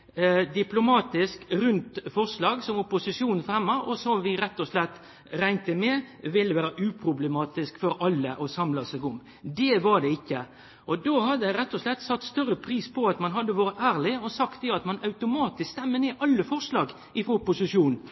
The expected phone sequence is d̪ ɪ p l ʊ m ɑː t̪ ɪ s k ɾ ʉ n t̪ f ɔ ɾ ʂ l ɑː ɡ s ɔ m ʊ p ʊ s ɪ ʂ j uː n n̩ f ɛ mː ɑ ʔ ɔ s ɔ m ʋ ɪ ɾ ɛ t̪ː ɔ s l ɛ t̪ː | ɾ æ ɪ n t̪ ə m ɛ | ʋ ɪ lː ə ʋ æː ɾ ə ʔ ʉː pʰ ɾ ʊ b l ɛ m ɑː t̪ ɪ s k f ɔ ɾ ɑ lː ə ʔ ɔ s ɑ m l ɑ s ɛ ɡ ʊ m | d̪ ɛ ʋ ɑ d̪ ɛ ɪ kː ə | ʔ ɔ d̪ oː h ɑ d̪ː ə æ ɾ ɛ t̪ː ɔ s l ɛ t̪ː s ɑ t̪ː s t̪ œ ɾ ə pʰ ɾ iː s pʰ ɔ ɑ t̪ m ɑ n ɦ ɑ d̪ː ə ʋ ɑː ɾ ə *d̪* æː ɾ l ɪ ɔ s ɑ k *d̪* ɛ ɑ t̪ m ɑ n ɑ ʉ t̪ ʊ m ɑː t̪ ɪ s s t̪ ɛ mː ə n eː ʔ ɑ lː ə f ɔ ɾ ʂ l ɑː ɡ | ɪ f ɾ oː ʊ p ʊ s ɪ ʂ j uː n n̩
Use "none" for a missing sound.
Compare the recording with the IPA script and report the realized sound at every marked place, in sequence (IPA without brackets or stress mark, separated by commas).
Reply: t̪, t̪